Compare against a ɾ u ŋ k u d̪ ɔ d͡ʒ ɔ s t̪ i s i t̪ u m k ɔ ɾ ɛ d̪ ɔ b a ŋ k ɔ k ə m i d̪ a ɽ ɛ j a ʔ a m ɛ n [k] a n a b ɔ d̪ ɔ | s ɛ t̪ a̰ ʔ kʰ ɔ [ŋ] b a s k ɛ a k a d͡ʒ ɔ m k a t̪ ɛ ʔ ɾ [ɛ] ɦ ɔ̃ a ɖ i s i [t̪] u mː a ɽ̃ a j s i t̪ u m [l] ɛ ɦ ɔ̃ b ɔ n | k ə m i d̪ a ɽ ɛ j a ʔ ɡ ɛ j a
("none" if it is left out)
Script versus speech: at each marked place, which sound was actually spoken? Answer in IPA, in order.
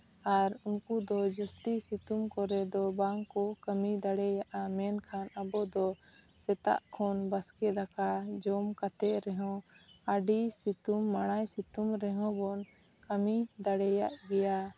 kʰ, n, ɛ, t̪, ɾ

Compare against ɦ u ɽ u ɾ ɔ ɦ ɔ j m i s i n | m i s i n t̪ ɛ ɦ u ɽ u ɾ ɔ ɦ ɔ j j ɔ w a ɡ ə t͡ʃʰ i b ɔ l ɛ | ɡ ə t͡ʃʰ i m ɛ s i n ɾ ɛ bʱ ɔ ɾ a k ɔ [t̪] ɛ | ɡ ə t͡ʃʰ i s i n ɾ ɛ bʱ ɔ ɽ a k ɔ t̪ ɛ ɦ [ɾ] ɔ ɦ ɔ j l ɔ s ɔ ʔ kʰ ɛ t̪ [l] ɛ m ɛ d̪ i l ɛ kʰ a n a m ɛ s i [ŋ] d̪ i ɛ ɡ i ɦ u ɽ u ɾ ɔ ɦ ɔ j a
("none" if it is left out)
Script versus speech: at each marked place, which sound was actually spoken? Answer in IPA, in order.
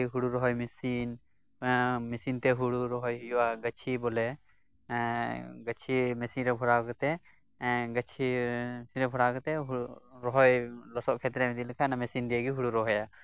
t̪, ɾ, ɾ, n

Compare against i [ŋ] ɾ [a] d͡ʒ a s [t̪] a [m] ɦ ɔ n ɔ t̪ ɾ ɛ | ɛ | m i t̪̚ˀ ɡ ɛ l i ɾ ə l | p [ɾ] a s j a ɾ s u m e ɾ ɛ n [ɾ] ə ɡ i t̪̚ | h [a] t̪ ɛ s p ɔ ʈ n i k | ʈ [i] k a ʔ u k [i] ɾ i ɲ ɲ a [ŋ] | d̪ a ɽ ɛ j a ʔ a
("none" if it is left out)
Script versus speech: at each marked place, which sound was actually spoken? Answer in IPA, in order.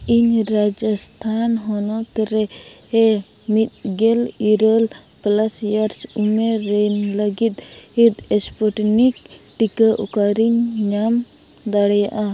ɲ, a, t̪ʰ, n, l, l, i, i, a, m

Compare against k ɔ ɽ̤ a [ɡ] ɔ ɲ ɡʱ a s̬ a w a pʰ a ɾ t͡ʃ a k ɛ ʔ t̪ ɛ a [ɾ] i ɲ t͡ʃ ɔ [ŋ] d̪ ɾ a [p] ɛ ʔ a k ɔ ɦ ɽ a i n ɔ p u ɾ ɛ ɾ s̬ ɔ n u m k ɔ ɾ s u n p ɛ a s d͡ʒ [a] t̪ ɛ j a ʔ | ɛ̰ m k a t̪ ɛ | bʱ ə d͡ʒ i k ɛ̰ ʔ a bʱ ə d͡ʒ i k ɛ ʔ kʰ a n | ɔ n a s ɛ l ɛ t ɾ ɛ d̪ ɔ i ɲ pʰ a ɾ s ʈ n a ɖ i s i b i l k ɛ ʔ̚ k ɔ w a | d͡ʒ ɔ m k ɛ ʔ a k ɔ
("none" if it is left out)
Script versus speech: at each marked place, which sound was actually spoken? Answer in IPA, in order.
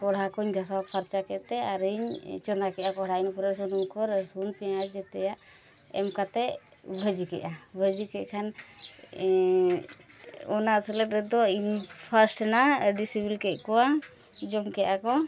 k, ɾ, n, k, ɛ

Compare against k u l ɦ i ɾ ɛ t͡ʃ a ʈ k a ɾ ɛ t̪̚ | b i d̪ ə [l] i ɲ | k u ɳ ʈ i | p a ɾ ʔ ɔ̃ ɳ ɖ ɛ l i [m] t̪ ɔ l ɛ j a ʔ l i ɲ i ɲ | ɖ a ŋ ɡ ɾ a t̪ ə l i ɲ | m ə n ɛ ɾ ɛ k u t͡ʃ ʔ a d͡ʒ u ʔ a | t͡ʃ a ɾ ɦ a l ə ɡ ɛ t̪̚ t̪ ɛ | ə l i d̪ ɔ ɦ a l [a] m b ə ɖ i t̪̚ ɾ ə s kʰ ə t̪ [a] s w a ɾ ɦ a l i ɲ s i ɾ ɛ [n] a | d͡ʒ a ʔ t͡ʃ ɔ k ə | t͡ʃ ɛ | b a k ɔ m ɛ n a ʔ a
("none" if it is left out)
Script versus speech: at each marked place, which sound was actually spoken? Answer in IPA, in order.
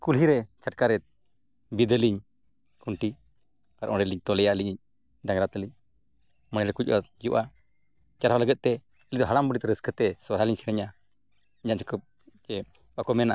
l, ɲ, a, ɛ, ɲ

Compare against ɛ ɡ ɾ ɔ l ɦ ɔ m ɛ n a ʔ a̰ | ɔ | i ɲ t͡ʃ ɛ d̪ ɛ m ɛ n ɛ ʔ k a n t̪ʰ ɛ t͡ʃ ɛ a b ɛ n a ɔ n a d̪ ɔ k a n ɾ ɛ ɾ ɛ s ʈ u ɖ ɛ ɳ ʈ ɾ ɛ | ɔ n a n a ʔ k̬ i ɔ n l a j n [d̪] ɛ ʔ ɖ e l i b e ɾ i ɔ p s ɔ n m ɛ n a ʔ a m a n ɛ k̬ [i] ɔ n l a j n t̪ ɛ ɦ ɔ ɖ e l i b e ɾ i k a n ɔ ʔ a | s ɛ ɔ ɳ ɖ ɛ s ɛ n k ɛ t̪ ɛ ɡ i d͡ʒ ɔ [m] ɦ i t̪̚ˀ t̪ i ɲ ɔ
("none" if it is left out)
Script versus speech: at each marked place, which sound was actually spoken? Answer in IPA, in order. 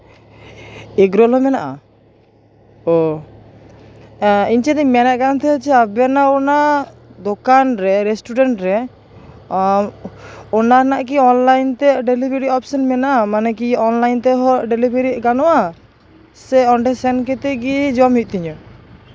t̪, i, m

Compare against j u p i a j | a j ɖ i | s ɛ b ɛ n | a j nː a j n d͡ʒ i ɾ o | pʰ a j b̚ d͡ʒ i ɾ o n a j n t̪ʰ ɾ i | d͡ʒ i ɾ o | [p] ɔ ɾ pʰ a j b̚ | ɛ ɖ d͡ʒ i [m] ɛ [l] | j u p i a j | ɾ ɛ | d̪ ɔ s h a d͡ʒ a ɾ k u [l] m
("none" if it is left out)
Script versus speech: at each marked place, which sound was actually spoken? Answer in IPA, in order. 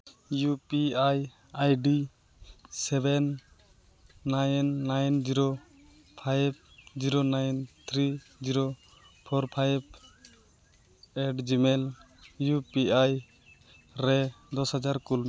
pʰ, m, l, l

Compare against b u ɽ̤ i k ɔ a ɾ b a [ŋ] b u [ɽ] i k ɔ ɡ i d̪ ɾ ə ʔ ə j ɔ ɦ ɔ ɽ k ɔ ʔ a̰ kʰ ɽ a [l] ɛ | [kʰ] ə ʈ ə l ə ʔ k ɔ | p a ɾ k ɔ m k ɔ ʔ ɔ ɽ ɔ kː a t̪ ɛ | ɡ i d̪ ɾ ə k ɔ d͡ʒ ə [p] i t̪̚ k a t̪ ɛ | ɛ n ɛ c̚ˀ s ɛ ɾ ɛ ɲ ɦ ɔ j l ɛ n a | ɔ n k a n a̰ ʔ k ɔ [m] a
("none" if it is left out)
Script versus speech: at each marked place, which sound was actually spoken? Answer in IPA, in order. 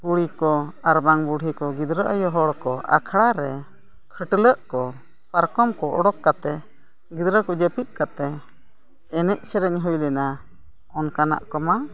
ŋ, ɽ, ɾ, kʰ, p, m

